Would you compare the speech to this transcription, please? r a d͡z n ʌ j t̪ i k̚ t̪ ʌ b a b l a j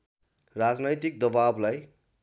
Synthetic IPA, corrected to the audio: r a d͡z n ʌ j t̪ i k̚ d̪ ʌ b a b l a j